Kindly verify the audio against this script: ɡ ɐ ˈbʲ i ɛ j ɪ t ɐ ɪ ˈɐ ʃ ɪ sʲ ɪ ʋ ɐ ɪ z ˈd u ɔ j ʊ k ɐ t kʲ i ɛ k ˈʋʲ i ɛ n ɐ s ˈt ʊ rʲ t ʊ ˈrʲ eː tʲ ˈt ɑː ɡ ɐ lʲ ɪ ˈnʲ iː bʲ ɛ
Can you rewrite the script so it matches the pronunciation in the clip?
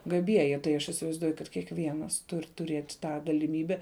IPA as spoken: ɡ ɐ ˈbʲ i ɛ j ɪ t ɐ ɪ ˈɐ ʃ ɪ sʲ ɪ ʋ ɐ ɪ z ˈd u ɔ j ʊ k ɐ t kʲ i ɛ k ˈʋʲ i ɛ n ɐ s ˈt ʊ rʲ t ʊ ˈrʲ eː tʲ ˈt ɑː ɡ ɐ lʲ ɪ ˈmʲ iː bʲ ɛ